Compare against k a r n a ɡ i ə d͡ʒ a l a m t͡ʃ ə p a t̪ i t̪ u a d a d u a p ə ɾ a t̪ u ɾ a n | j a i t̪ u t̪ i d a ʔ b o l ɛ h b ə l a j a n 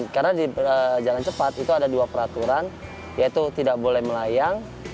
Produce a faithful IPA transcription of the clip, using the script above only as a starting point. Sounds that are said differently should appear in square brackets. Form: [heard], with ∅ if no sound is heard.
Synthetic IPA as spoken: k a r n a [d] i ə d͡ʒ a l a [n] t͡ʃ ə p a t̪ i t̪ u a d a d u a p ə ɾ a t̪ u ɾ a n | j a i t̪ u t̪ i d a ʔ b o l ɛ h [m] ə l a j a [ŋ]

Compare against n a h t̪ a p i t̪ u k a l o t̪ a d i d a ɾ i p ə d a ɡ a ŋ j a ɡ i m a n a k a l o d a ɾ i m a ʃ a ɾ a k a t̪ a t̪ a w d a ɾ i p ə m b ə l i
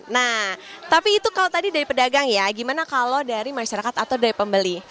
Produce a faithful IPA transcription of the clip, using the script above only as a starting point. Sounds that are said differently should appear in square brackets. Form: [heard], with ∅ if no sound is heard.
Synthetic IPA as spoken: n a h t̪ a p [iː] t̪ u k a l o t̪ a d i d a ɾ i p ə d a ɡ a ŋ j a ɡ i m a n a k a l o d a ɾ i m a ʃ a ɾ a k a t̪ a t̪ a w d a ɾ i p ə m b ə l i

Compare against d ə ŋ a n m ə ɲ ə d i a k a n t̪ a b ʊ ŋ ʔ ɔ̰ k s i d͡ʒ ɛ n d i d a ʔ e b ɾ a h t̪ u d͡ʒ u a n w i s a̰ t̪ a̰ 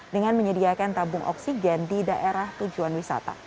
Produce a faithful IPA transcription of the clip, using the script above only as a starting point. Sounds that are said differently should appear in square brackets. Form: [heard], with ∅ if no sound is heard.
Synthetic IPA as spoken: d ə ŋ a n m ə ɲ ə d i a k a n t̪ a b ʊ ŋ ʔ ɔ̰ k s i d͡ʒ ɛ n d i d a ʔ e [∅] ɾ a h t̪ u d͡ʒ u a n w i s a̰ t̪ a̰

